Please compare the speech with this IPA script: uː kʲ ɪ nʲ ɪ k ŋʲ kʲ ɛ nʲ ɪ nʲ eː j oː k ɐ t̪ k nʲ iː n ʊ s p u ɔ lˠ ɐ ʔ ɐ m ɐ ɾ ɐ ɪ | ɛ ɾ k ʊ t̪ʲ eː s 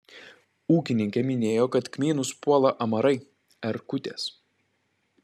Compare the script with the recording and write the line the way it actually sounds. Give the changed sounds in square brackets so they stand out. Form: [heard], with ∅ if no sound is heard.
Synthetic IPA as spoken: uː kʲ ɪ nʲ ɪ [∅] ŋʲ kʲ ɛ [mʲ] ɪ nʲ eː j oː k ɐ t̪ k [mʲ] iː n ʊ s p u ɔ lˠ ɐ ʔ ɐ m ɐ ɾ ɐ ɪ | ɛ ɾ k ʊ t̪ʲ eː s